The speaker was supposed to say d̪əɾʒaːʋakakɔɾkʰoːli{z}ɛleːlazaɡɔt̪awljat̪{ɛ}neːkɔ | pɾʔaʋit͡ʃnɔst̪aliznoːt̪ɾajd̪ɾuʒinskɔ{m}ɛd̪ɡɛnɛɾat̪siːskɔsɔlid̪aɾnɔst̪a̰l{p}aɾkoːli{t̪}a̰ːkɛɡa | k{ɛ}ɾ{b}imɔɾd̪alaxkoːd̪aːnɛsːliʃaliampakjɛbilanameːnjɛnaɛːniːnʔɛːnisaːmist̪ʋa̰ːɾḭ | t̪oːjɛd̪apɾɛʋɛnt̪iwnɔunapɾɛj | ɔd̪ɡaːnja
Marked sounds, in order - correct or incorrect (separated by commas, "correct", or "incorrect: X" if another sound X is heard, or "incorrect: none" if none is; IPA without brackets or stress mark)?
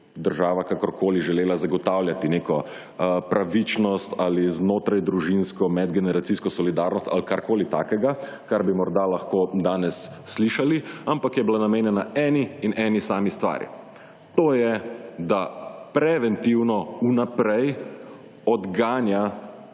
incorrect: ʒ, incorrect: i, correct, incorrect: k, correct, incorrect: a, correct